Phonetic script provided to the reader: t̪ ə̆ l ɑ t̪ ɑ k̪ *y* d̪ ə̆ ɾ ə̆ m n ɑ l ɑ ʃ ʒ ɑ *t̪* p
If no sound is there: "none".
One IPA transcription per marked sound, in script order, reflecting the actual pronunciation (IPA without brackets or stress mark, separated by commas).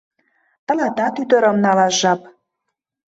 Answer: y, none